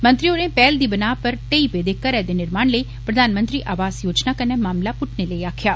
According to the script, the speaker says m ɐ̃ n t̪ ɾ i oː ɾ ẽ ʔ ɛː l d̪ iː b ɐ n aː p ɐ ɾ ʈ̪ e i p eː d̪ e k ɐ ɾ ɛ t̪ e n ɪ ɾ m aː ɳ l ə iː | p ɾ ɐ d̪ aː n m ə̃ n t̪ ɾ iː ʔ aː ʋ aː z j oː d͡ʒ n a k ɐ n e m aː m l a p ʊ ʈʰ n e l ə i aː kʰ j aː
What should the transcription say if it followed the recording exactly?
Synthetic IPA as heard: m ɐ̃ n t̪ ɾ i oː ɾ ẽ p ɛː l d̪ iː b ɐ n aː p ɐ ɾ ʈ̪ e i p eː d̪ e k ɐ ɾ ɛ d̪ e n ɪ ɾ m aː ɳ l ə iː | p ɾ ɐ d̪ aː n m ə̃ n t̪ ɾ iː ʔ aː ʋ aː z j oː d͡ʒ n a k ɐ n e m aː m l a p ʊ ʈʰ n e l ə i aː kʰ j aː